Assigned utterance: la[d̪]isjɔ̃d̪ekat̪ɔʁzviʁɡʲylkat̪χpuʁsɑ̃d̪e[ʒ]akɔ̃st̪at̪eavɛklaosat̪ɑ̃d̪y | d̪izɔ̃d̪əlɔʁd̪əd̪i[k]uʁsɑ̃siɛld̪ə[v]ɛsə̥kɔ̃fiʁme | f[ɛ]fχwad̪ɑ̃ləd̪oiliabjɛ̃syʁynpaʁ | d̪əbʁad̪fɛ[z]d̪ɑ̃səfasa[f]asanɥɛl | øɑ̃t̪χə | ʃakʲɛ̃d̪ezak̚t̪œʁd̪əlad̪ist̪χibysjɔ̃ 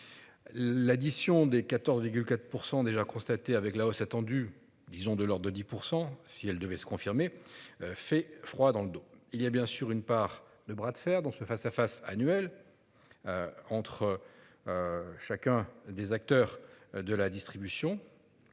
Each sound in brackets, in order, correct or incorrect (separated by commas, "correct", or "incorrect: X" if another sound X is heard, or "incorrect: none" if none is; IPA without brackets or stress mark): correct, correct, incorrect: p, correct, correct, incorrect: ʁ, correct